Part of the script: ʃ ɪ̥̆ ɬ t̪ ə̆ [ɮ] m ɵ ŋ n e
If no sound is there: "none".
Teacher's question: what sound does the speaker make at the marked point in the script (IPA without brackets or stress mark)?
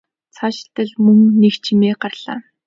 ɮ